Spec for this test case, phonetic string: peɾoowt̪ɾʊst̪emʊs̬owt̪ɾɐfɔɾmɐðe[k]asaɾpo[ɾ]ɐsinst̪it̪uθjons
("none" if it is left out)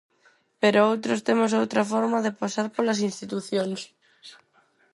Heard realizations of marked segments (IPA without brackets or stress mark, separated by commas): p, l